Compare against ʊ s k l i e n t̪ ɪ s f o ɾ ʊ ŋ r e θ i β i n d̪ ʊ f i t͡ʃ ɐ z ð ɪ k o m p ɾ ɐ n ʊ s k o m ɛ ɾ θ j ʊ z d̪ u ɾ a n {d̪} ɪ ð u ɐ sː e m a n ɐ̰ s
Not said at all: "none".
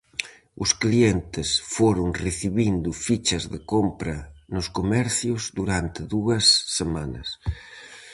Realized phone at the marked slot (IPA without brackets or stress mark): t̪